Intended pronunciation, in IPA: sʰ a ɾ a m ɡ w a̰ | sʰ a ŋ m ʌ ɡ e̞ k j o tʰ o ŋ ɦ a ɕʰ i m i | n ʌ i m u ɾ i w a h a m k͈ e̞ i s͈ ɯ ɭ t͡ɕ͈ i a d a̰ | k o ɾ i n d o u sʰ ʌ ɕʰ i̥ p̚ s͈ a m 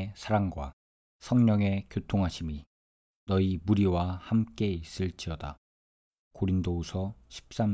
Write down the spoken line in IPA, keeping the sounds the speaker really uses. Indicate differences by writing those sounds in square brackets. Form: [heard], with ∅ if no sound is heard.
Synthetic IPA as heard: sʰ a ɾ a [ŋ] ɡ w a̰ | sʰ [ʌ] ŋ [ɲ] ʌ [ŋ] e̞ k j o tʰ o ŋ ɦ a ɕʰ i m i | n ʌ i m u ɾ i w a h a m k͈ e̞ i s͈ ɯ ɭ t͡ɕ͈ i [ʌ] d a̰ | k o ɾ i n d o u sʰ ʌ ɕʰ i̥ p̚ s͈ a m